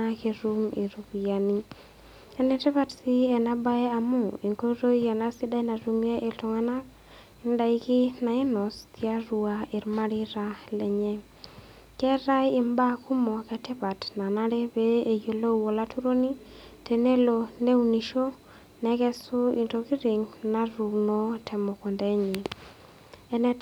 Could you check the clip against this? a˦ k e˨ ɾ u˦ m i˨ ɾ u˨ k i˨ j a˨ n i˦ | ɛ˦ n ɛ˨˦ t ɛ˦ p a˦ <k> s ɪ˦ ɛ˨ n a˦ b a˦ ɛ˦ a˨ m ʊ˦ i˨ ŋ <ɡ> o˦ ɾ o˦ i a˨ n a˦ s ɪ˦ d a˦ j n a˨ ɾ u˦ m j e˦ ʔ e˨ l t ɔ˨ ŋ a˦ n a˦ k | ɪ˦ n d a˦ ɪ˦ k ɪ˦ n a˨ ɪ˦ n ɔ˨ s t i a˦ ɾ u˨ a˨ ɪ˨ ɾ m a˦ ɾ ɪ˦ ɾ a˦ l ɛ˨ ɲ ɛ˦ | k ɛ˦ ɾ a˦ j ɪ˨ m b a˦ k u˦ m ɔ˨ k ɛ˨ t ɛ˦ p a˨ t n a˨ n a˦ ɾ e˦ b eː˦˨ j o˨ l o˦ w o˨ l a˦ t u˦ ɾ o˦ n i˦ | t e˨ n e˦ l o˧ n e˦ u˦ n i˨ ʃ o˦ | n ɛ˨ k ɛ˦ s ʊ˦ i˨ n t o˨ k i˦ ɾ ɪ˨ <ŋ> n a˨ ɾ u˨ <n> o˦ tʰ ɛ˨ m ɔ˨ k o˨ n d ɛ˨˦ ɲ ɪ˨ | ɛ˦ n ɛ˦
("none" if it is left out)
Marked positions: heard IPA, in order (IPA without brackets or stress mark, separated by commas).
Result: t, k, ŋ, n